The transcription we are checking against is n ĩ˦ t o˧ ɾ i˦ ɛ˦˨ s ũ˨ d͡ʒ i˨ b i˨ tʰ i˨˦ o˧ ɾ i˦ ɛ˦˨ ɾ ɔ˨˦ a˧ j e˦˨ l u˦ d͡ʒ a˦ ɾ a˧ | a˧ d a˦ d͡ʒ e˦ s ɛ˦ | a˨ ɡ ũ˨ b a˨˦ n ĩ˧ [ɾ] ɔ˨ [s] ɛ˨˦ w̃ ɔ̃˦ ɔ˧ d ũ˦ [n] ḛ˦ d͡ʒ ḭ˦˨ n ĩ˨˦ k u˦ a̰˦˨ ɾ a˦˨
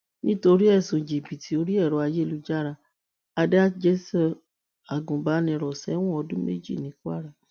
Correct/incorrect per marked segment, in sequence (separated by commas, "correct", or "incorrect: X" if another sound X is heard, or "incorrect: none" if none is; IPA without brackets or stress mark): correct, correct, incorrect: m